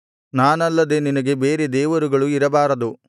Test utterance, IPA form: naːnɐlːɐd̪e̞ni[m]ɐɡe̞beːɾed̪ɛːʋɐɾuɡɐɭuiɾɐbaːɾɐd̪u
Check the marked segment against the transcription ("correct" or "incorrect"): incorrect